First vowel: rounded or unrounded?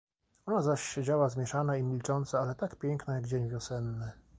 rounded